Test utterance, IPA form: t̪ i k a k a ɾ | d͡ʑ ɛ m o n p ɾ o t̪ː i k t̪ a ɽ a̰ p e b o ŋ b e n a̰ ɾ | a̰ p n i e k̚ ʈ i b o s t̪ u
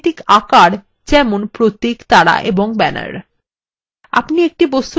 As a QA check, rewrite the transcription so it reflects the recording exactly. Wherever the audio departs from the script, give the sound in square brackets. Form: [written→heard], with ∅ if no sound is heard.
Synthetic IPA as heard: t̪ i k a k a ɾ | d͡ʑ ɛ m o n p ɾ o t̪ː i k t̪ a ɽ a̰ [p→ʔ] e b o ŋ b [e→ɛ] n a̰ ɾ | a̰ p n i e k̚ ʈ i b o s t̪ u